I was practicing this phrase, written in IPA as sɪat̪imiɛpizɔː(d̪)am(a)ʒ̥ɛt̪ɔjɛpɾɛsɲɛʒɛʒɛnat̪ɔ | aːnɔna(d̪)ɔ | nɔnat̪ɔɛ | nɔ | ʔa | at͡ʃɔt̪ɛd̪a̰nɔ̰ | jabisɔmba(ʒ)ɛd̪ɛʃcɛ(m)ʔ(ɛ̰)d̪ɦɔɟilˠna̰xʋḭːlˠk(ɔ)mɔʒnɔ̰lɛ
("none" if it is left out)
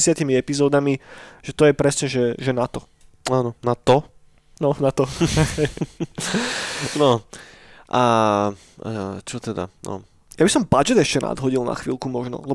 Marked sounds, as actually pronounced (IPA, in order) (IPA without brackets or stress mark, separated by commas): d̪, i, t̪, d͡ʒ, n, a̰, u